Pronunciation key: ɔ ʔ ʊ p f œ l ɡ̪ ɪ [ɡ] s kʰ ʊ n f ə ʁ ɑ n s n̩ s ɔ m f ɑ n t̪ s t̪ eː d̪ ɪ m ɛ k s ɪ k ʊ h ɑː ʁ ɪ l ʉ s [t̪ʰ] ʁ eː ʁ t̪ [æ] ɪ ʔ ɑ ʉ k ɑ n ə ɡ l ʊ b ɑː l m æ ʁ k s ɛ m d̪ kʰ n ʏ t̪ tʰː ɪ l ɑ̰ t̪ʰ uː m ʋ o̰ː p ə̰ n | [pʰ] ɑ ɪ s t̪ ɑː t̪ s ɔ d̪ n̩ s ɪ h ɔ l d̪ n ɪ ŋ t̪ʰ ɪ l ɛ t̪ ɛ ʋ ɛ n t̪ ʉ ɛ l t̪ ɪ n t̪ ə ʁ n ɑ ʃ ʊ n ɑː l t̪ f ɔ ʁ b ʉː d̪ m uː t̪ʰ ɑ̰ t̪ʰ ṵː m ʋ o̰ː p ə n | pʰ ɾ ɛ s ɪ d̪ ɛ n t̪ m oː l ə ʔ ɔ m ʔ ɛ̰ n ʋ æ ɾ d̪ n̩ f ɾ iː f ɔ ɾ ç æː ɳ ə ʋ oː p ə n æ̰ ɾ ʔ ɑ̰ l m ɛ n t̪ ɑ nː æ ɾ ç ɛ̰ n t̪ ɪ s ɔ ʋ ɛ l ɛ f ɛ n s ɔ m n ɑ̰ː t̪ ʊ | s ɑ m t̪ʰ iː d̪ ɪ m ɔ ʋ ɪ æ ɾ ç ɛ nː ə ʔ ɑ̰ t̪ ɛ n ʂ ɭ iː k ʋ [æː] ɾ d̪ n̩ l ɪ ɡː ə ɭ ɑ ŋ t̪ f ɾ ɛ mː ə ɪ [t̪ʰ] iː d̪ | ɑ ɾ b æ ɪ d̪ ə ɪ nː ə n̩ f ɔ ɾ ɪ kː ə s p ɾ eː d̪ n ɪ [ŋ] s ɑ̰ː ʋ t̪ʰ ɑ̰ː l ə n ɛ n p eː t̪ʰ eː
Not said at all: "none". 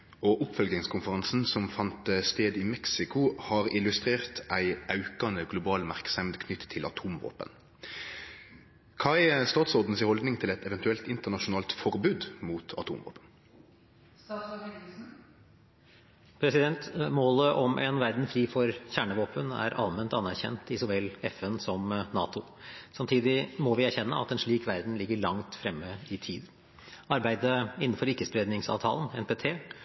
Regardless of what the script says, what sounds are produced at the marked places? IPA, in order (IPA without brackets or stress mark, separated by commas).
ŋ, t̪, æ, kʰ, æ, t̪ʰ, ŋ